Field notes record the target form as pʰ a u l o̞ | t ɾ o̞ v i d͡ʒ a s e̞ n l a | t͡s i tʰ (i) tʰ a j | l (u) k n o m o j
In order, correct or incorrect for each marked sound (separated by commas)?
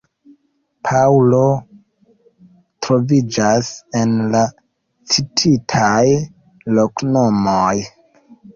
correct, incorrect